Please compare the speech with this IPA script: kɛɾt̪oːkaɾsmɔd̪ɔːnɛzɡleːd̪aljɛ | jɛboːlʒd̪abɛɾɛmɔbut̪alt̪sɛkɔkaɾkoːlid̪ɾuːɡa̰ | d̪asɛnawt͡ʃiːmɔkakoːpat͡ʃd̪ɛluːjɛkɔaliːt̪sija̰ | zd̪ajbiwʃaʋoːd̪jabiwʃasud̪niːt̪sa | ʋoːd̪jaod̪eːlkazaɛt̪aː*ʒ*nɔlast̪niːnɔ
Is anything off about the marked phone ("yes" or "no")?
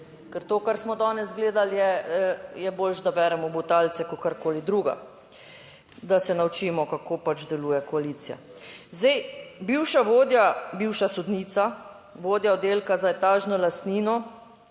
no